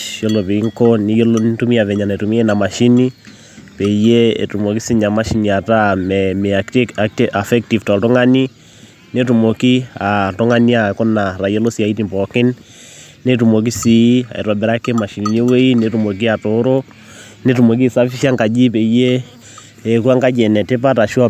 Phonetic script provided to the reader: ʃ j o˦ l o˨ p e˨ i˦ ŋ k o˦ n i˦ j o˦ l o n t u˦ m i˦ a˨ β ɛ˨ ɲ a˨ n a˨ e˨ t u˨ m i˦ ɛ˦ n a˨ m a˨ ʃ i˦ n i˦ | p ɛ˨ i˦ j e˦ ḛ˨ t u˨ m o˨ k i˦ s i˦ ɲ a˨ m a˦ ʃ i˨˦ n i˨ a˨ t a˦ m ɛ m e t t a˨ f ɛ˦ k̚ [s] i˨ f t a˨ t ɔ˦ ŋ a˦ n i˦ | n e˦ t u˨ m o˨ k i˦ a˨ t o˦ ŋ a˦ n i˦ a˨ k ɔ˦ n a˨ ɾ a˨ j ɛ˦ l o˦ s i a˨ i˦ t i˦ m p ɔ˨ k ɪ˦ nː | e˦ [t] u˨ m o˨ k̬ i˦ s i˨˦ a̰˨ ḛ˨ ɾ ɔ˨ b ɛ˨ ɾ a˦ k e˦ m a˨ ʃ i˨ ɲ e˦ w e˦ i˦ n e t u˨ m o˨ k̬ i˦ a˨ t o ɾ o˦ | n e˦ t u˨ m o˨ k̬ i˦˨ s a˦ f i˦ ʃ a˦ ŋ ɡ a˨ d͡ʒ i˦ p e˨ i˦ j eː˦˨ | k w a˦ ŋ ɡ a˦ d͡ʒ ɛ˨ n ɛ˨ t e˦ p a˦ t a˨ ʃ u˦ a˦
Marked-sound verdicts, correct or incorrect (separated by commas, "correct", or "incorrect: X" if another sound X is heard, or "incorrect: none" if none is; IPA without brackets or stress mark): incorrect: t, correct